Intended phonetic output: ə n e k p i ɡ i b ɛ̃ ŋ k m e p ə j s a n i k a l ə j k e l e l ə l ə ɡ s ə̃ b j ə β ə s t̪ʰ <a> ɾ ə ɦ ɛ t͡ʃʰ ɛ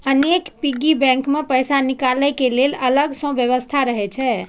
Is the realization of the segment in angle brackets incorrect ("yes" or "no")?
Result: no